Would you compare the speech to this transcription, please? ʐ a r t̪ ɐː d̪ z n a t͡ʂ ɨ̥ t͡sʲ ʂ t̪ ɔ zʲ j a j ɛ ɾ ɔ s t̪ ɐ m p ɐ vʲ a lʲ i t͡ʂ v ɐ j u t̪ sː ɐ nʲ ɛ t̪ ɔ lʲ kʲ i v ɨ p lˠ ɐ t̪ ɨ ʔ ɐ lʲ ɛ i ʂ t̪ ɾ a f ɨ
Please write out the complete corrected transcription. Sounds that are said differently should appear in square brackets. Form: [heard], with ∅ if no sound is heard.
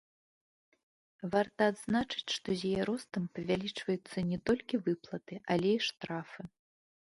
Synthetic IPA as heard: [v] a r t̪ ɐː d̪ z n a t͡ʂ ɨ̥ t͡sʲ ʂ t̪ ɔ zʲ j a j ɛ ɾ ɔ s t̪ ɐ m p ɐ vʲ a lʲ i t͡ʂ v ɐ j u t̪ sː ɐ nʲ ɛ t̪ ɔ lʲ kʲ i v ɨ p lˠ ɐ t̪ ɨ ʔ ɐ lʲ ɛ i ʂ t̪ ɾ a f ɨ